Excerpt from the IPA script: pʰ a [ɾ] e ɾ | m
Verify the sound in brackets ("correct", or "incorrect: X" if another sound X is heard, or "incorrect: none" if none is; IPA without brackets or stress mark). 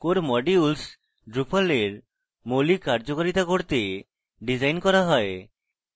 incorrect: l